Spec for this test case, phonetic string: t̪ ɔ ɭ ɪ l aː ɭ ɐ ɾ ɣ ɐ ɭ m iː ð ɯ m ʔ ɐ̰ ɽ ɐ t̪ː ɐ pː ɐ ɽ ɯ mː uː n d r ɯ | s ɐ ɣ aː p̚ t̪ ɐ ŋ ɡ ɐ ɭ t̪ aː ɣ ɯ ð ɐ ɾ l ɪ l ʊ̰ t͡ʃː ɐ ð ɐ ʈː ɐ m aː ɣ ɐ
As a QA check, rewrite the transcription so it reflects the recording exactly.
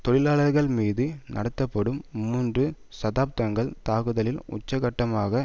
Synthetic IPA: t̪ ɔ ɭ ɪ l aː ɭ ɐ ɾ ɣ ɐ ɭ m iː ð ɯ n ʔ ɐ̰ ɽ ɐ t̪ː ɐ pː ɐ ɽ ɯ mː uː n d r ɯ | s ɐ ð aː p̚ t̪ ɐ ŋ ɡ ɐ ɭ t̪ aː ɣ ɯ ð ɐ l ɪ l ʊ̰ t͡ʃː ɐ ɣ ɐ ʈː ɐ m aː ɣ ɐ